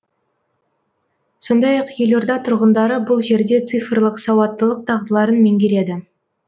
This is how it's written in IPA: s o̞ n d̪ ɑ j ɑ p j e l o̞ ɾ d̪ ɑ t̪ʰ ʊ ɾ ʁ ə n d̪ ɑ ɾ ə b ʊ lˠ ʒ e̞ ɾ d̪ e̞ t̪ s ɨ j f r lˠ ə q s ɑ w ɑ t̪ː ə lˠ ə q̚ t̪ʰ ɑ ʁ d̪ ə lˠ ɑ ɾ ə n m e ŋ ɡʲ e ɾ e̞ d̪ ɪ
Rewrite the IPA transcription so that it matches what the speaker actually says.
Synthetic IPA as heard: s o̞ n d̪ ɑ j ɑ q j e l o̞ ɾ d̪ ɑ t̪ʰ ʊ ɾ ʁ ə n d̪ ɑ ɾ ə b ʊ lˠ ʒ e̞ ɾ d̪ e̞ t̪ s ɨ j f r lˠ ə q s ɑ w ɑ t̪ː ə lˠ ə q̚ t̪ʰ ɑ ʁ d̪ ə lˠ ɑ ɾ ə n m e ŋ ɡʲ e ɾ e̞ d̪ ɪ

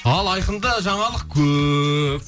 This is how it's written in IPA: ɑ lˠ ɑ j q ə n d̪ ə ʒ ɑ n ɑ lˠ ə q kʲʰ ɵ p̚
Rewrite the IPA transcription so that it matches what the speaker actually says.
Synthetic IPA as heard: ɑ lˠ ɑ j q ə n d̪ ɑ ʒ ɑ ɴ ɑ lˠ ə q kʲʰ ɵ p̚

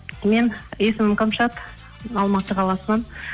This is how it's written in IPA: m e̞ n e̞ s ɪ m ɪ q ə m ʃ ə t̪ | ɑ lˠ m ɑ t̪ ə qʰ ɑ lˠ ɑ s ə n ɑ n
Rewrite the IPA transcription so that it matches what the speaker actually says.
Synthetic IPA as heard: m e̞ n e̞ s ɪ m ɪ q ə m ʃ ɑ t̪ | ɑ lˠ m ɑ t̪ ə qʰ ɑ lˠ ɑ s ə n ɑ n

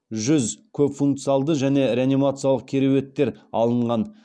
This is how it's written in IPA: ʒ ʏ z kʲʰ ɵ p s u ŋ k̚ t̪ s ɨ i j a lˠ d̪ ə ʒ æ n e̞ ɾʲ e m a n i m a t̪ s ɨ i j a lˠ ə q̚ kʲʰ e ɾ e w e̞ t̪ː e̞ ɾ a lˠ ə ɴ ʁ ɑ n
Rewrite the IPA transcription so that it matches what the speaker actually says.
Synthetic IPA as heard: ʒ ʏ z kʲʰ ɵ p f u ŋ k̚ t̪ s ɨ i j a lˠ d̪ ə ʒ æ n e̞ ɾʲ e a n i m a t̪ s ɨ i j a lˠ ə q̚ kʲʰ e ɾ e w e̞ t̪ː e̞ ɾ ɑ lˠ ə ɴ ʁ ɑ n

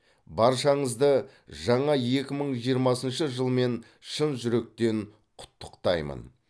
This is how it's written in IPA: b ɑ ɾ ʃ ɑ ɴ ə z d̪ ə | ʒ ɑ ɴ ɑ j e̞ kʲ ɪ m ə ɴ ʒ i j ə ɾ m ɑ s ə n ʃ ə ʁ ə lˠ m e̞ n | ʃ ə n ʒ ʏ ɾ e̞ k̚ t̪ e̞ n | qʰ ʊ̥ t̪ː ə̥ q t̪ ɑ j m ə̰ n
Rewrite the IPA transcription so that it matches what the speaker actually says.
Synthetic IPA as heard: b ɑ ɾ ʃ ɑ ɴ ə z d̪ ə | ʒ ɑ ɴ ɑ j e̞ kʲ ɪ m ə ɴ ʒ i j ə ɾ m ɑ s ə n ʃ ə ʒ ə lˠ m e̞ n | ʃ ə n ʒ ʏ ɾ e̞ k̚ t̪ e̞ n | qʰ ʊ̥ t̪ː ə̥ q t̪ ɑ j m ə̰ n

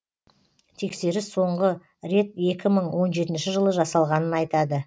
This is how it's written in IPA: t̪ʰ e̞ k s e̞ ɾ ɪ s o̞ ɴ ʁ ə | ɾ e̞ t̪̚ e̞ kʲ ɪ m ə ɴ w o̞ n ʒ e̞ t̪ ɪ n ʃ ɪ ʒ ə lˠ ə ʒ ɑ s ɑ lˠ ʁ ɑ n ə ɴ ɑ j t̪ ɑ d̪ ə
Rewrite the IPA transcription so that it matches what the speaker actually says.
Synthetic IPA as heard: t̪ʰ e̞ k s e̞ ɾ ɪ s o̞ ɴ ʁ ə | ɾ e̞ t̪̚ e̞ kʲ ɪ m ə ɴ w o̞ n ʒ e̞ t̪ ɪ n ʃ ɪ ʒ ə lˠ ə ʒ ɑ s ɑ lˠ ʁ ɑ n ə n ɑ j t̪ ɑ d̪ ə

